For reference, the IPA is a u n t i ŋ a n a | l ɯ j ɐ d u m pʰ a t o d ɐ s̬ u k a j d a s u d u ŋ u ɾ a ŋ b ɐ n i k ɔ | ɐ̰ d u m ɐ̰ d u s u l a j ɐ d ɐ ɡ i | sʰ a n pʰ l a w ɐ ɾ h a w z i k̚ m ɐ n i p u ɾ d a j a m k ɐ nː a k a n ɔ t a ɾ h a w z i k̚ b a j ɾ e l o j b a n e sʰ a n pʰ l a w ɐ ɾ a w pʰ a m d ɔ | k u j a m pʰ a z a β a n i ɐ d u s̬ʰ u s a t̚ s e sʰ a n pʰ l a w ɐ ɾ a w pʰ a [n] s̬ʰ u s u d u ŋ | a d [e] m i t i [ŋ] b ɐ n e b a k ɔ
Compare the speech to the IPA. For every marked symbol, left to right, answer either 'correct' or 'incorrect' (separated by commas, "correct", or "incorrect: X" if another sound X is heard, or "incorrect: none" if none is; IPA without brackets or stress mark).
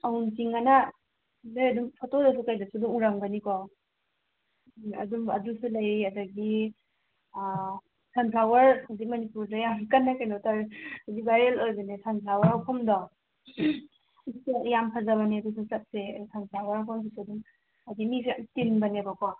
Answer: incorrect: m, incorrect: i, incorrect: n